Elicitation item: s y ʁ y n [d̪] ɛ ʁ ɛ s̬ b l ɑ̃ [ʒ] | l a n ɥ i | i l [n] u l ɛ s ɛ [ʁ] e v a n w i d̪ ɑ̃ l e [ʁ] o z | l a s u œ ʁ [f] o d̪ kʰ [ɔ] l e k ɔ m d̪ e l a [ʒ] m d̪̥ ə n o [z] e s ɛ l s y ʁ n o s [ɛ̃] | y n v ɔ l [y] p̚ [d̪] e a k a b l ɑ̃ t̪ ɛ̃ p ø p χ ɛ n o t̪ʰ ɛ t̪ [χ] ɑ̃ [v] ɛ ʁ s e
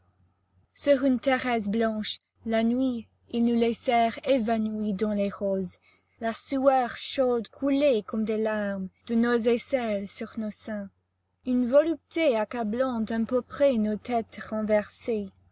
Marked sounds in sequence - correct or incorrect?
incorrect, incorrect, correct, correct, correct, incorrect, incorrect, incorrect, correct, correct, correct, incorrect, incorrect, correct

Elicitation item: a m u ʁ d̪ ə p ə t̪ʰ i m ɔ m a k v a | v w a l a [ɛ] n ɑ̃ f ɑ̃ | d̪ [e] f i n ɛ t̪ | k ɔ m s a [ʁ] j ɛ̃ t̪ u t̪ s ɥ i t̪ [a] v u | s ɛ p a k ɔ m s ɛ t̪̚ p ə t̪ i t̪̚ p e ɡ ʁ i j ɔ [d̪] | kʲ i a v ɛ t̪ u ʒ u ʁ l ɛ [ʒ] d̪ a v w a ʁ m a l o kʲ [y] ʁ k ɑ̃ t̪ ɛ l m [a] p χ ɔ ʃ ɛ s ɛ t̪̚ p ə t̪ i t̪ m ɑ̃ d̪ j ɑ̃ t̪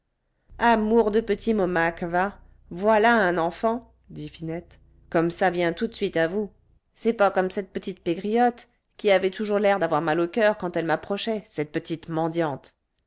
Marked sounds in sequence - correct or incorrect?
incorrect, incorrect, incorrect, correct, incorrect, incorrect, incorrect, correct

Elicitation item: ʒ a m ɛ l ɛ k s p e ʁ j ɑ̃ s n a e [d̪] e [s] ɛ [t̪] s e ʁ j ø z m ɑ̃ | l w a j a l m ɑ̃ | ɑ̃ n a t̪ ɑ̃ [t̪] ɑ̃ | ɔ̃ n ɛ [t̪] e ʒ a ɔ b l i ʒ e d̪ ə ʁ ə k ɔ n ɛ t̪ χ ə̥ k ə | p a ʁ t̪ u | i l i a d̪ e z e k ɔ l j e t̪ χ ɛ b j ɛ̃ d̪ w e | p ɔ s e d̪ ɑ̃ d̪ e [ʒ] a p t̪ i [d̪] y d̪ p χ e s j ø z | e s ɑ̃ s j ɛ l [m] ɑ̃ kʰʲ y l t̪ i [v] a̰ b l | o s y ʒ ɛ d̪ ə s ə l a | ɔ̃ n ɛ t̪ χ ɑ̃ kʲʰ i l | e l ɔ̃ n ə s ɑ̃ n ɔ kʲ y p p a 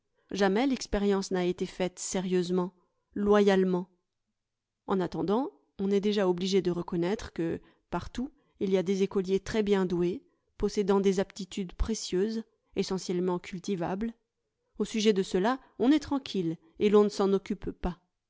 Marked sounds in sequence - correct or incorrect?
incorrect, incorrect, correct, incorrect, incorrect, incorrect, incorrect, correct, correct

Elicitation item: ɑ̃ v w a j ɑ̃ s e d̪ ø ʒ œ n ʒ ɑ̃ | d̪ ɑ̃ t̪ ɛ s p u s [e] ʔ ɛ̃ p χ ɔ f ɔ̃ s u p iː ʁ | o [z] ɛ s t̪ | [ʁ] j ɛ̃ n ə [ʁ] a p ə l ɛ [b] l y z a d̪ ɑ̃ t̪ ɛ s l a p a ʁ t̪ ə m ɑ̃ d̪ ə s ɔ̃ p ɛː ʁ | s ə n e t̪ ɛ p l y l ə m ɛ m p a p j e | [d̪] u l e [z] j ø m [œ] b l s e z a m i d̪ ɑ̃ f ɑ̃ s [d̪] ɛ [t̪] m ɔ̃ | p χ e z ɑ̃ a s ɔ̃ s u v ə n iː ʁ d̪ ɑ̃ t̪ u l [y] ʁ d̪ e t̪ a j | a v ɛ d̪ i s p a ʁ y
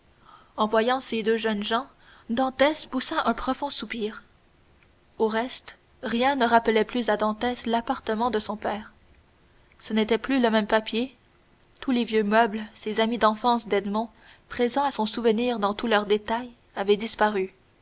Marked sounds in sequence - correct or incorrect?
incorrect, incorrect, correct, correct, incorrect, incorrect, incorrect, correct, correct, incorrect, incorrect

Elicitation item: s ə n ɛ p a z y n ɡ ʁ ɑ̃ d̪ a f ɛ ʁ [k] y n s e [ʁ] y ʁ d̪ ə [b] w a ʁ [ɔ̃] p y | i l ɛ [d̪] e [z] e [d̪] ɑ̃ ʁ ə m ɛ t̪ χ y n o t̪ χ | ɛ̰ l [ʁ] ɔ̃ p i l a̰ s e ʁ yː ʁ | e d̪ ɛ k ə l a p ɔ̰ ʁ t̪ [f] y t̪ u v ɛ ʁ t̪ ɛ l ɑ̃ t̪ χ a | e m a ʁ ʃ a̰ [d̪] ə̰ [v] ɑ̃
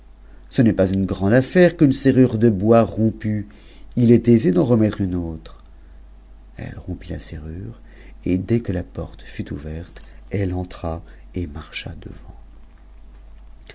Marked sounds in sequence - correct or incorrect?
correct, correct, correct, correct, incorrect, correct, correct, correct, correct, correct, correct

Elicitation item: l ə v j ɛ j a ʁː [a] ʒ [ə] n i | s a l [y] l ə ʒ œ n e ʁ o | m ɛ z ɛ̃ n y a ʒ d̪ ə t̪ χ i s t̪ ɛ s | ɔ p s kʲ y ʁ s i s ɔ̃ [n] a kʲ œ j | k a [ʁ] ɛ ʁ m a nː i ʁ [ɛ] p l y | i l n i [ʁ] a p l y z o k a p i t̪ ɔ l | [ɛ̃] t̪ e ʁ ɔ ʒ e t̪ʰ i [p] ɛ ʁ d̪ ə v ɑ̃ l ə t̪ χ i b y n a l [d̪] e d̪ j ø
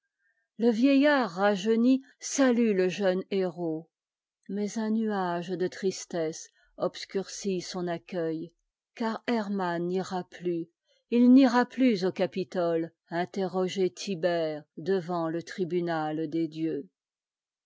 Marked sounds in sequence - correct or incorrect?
correct, correct, correct, correct, correct, incorrect, correct, correct, incorrect, correct

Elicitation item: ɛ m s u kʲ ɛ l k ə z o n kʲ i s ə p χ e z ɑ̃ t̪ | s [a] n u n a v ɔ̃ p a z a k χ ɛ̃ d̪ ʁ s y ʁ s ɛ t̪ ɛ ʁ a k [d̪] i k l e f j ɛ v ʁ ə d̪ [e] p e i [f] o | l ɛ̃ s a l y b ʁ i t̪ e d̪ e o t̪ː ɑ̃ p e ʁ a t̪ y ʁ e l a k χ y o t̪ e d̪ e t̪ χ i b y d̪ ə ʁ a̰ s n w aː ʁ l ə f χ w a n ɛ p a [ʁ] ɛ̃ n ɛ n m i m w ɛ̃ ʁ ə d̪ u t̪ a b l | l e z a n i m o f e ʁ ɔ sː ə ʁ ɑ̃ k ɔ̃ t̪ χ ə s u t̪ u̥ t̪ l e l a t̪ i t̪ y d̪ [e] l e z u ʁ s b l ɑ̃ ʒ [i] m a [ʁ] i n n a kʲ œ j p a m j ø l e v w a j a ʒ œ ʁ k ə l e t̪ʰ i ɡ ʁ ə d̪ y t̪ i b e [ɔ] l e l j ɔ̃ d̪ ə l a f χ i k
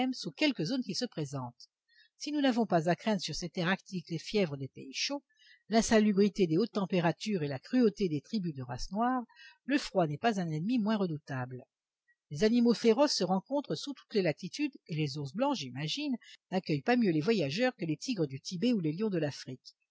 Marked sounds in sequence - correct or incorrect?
incorrect, incorrect, correct, incorrect, incorrect, correct, correct, incorrect, incorrect

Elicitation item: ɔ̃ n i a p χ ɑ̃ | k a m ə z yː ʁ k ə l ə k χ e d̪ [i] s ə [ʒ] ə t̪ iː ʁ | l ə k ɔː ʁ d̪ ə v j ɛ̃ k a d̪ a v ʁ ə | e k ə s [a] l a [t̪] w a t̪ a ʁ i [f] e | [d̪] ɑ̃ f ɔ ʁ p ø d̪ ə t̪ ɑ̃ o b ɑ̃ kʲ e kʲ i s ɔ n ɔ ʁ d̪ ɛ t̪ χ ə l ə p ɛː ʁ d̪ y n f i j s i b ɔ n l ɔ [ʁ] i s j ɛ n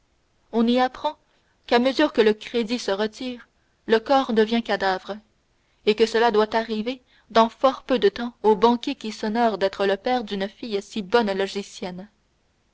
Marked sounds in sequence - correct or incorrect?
correct, incorrect, incorrect, incorrect, incorrect, correct, incorrect

